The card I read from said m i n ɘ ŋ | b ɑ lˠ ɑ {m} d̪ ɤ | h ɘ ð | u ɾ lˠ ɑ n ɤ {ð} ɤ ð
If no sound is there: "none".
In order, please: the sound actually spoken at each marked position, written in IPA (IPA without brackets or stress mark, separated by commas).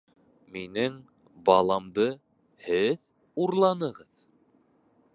m, ʁ